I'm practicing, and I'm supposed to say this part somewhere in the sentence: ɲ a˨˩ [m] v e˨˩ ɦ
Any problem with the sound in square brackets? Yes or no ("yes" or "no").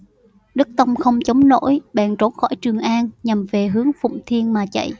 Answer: no